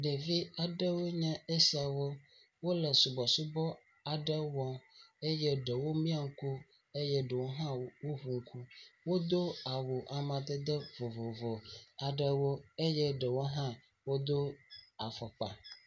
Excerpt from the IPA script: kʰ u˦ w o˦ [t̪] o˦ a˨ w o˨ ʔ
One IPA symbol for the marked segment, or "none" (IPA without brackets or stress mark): d̪